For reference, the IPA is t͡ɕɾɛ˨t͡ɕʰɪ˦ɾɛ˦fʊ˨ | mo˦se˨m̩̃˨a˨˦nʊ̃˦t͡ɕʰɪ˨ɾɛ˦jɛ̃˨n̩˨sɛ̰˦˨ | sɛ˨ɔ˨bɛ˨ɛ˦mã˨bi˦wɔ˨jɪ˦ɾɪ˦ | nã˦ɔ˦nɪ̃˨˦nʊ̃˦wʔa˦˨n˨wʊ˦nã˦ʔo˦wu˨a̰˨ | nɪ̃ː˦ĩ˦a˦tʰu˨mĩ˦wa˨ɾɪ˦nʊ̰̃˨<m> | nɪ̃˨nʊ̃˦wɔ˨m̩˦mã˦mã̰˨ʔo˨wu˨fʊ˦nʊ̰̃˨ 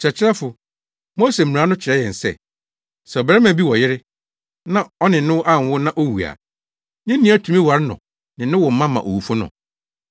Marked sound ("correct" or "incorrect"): incorrect